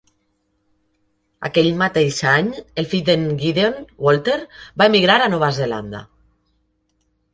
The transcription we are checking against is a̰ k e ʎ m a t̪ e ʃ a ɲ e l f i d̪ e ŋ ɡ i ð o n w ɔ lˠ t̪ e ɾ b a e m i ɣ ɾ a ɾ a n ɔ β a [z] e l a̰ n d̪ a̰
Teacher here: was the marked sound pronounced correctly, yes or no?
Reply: yes